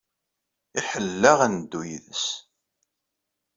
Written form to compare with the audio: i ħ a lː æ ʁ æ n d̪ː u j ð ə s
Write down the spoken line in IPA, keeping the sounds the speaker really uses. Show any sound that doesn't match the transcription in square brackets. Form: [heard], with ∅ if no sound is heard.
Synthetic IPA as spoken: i ħ [ə] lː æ ʁ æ n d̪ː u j ð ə s